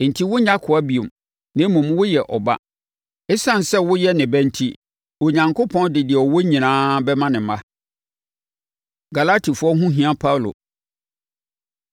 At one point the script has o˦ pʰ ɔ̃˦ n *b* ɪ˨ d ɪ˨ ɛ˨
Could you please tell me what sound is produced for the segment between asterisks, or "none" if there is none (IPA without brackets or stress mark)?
d